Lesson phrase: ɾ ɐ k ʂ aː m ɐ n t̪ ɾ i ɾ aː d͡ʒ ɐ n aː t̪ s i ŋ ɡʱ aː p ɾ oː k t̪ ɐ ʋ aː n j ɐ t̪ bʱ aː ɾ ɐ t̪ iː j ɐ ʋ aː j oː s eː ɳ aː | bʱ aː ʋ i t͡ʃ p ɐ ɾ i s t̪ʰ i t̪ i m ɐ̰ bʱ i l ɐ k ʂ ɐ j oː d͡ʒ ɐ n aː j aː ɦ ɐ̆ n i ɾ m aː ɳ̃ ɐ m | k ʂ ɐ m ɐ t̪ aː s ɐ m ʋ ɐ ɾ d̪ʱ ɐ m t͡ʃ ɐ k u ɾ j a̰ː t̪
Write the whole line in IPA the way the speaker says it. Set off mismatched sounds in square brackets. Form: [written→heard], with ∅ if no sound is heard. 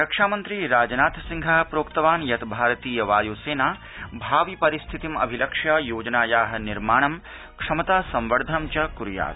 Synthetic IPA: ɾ ɐ k ʂ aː m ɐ n t̪ ɾ i ɾ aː d͡ʒ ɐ n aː t̪ s i ŋ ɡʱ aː p ɾ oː k t̪ ɐ ʋ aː n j ɐ t̪ bʱ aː ɾ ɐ t̪ iː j ɐ ʋ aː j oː s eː [ɳ→n] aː | bʱ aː ʋ i [t͡ʃ→∅] p ɐ ɾ i s t̪ʰ i t̪ i m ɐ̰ bʱ i l ɐ k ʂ ɐ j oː d͡ʒ ɐ n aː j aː ɦ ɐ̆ n i ɾ m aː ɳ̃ ɐ m | k ʂ ɐ m ɐ t̪ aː s ɐ m ʋ ɐ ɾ d̪ʱ ɐ m t͡ʃ ɐ k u ɾ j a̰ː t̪